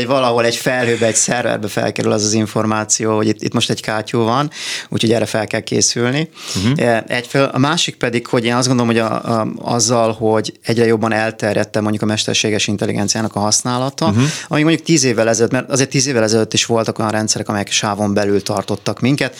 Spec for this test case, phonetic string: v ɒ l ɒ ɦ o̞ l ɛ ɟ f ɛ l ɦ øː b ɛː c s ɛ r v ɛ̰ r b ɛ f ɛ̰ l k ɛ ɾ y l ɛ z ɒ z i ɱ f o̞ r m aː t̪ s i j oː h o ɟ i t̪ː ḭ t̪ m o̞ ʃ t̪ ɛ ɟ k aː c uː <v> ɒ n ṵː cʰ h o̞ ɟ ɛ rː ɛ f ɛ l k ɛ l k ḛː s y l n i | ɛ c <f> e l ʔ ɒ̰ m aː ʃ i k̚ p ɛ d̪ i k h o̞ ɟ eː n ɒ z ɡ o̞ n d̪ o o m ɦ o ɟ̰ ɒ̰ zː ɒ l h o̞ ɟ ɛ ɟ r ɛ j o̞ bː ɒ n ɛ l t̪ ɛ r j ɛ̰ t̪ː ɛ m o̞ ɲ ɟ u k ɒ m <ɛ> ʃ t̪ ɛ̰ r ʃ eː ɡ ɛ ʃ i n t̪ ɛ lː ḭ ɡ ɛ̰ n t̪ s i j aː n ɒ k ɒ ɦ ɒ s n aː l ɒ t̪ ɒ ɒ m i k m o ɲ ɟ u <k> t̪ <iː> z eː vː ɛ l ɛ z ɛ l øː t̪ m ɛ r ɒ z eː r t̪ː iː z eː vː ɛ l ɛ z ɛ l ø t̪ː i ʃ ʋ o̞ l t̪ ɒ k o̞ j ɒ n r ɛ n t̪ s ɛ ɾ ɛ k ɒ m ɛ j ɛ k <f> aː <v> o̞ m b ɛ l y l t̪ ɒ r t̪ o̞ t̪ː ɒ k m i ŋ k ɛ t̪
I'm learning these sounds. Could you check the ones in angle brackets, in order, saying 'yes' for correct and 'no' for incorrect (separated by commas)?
yes, yes, yes, yes, yes, no, yes